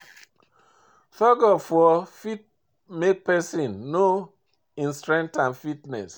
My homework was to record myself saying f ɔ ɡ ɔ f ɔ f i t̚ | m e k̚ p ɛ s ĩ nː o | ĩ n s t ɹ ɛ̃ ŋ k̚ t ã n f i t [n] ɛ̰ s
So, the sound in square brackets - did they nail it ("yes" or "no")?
yes